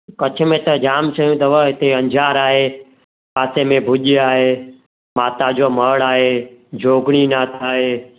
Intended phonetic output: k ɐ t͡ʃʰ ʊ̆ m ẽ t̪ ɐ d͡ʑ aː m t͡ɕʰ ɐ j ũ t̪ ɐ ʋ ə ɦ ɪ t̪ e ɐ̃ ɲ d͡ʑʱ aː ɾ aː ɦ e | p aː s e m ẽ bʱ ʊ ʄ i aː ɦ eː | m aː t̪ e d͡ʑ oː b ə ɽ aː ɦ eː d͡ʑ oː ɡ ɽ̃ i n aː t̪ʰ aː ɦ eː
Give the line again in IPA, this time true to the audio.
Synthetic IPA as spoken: k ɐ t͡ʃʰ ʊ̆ m ẽ t̪ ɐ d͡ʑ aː m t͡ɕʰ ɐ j ũ t̪ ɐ ʋ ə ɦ ɪ t̪ e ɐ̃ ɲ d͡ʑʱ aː ɾ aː ɦ e | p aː s e m ẽ bʱ ʊ ʄ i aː ɦ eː | m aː t̪ a d͡ʑ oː m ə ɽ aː ɦ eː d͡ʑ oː ɡ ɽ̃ i n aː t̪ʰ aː ɦ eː